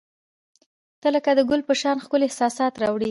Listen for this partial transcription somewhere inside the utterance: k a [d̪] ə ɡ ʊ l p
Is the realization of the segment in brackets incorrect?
no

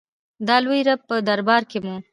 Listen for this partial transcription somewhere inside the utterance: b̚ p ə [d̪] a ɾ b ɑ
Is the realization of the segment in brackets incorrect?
no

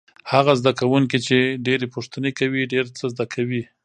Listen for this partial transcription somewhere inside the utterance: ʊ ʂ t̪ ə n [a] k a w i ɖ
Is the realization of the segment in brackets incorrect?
yes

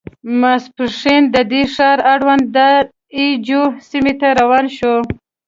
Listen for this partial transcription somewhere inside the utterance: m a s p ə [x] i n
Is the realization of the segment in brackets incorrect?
yes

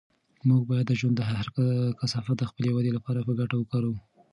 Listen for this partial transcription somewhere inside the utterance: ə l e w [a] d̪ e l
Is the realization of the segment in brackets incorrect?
no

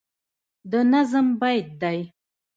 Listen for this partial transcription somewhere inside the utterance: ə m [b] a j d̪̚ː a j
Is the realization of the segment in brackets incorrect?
no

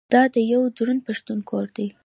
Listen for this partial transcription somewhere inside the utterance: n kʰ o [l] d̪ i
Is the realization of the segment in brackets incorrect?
yes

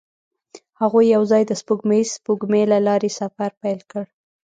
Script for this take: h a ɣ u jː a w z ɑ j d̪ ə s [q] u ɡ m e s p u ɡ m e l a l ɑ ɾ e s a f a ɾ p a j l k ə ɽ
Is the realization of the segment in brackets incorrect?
yes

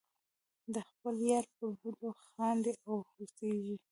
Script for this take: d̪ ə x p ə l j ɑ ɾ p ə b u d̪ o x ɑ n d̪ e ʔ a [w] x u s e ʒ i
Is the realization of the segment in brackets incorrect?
no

